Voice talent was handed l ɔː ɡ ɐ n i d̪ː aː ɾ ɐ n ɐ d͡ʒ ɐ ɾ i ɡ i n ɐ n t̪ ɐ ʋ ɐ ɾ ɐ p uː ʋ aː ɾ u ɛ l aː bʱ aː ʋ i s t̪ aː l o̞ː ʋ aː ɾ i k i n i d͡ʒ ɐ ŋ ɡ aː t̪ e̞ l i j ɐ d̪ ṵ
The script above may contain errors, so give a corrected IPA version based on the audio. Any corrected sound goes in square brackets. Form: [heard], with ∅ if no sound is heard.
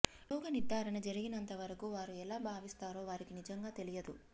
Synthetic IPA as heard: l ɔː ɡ ɐ n i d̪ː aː ɾ ɐ n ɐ d͡ʒ ɐ ɾ i ɡ i n ɐ n t̪ ɐ ʋ ɐ ɾ ɐ [k] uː ʋ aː ɾ u ɛ l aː bʱ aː ʋ i s t̪ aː [ɾ] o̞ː ʋ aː ɾ i k i n i d͡ʒ ɐ ŋ ɡ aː t̪ e̞ l i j ɐ d̪ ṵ